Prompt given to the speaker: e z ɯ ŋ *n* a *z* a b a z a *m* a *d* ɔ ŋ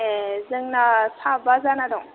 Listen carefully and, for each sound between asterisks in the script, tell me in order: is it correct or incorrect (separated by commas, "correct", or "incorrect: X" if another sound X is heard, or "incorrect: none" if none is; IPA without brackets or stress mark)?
correct, incorrect: s, incorrect: n, correct